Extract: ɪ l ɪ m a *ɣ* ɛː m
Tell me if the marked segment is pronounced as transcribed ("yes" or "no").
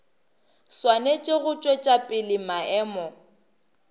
no